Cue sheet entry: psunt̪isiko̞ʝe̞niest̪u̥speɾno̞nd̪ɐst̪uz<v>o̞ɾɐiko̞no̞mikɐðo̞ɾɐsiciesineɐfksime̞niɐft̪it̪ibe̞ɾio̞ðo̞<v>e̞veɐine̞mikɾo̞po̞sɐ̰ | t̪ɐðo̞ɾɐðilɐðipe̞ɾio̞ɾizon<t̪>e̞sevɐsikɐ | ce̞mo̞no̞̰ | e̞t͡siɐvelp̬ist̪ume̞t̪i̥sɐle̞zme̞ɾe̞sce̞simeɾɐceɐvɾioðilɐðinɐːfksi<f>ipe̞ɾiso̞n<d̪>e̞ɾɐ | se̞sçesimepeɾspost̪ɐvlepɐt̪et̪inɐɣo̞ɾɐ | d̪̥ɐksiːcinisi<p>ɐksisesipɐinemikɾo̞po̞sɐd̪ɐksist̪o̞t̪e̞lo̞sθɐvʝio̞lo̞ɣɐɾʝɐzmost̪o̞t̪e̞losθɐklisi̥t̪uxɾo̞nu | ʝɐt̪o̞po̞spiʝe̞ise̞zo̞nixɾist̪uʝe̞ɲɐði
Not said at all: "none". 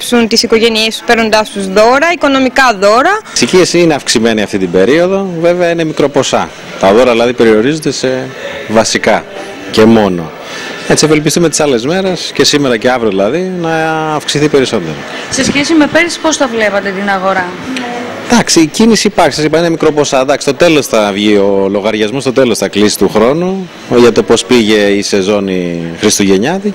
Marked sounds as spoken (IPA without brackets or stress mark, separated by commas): ð, v, d̪, θ, d̪, p